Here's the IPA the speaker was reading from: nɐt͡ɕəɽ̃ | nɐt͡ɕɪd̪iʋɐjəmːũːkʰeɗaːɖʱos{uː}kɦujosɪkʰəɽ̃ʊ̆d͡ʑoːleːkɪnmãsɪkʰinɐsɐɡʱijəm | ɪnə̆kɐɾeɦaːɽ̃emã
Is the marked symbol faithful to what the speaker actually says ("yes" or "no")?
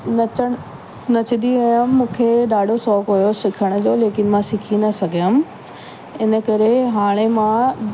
no